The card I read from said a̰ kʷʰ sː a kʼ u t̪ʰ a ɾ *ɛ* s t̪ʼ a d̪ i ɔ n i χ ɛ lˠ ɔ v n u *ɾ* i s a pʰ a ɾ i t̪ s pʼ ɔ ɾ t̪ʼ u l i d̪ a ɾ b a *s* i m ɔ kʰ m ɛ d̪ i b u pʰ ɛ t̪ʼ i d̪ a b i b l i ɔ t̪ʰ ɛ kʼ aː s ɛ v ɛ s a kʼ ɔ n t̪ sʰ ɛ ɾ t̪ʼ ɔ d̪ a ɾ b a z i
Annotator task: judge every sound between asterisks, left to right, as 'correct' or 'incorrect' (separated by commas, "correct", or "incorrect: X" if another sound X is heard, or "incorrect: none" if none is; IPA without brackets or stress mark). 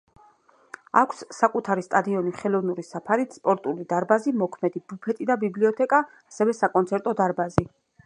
incorrect: i, correct, incorrect: z